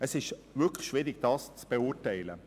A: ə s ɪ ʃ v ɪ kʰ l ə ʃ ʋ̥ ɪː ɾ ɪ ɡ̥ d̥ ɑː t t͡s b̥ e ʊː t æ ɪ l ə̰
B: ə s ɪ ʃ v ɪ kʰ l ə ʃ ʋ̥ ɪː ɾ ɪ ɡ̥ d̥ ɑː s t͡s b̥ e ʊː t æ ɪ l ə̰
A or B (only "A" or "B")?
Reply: B